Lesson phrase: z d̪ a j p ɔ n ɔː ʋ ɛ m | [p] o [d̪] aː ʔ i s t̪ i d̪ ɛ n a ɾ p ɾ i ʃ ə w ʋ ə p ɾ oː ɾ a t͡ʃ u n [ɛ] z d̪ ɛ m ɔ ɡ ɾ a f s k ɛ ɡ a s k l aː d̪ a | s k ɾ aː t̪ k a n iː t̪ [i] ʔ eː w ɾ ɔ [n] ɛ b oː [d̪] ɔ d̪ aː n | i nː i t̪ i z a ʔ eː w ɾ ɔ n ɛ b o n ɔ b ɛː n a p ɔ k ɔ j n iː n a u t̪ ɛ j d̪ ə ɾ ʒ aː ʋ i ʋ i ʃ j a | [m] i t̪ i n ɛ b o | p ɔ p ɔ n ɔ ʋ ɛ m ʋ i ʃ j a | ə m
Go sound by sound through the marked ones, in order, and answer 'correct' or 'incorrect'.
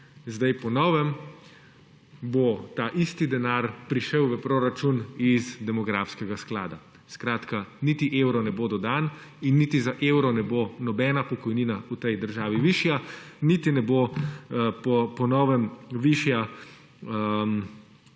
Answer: incorrect, incorrect, incorrect, correct, correct, correct, incorrect

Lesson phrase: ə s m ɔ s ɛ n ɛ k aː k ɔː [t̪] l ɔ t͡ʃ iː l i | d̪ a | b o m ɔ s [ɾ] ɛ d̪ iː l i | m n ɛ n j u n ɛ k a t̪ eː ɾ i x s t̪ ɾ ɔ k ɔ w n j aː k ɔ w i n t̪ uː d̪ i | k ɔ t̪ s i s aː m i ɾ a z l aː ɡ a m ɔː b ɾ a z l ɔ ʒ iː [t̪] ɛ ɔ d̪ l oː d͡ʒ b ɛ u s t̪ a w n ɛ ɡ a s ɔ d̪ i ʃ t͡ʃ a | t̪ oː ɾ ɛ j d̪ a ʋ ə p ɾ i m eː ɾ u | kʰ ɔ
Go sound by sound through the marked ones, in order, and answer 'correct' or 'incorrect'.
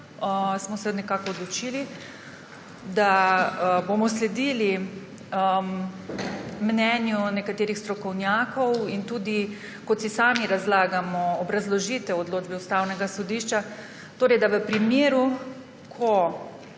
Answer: incorrect, incorrect, correct

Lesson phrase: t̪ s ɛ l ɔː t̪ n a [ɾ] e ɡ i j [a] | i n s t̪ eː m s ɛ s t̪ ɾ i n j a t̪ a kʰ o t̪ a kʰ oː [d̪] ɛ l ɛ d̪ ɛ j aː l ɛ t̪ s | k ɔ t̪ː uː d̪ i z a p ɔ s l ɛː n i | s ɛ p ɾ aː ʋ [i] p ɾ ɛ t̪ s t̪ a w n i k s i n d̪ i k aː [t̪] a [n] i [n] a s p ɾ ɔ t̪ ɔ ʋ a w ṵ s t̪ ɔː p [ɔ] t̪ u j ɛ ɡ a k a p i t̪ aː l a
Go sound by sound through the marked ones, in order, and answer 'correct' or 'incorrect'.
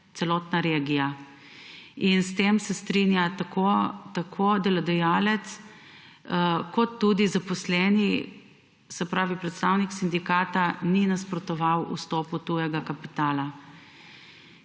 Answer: correct, correct, correct, correct, correct, correct, correct, incorrect

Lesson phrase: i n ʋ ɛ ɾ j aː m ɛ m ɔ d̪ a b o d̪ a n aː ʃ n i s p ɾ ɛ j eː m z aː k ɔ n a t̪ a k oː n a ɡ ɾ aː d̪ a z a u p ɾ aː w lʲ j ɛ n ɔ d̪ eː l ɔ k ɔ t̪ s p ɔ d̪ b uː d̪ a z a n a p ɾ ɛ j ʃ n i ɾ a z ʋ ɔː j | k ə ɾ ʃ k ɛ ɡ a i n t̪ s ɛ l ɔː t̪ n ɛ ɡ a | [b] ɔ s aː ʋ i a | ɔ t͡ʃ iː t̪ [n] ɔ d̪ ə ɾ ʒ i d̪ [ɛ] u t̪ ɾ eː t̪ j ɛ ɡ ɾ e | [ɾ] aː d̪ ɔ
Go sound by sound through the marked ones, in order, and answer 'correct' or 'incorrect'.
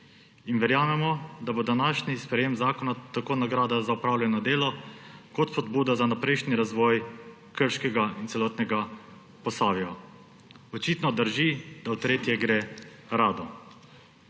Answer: incorrect, correct, incorrect, correct

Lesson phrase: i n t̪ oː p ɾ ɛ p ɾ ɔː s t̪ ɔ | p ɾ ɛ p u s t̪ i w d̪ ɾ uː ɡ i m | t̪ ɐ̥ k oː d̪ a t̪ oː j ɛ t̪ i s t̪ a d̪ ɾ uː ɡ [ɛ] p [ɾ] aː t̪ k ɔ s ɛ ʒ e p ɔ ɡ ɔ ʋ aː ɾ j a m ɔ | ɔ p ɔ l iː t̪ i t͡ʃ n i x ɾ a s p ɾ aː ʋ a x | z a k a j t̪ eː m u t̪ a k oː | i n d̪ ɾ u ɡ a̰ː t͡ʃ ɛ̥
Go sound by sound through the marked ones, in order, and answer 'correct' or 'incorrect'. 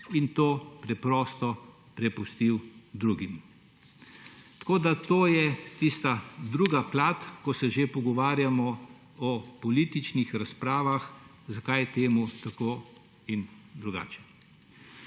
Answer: incorrect, incorrect

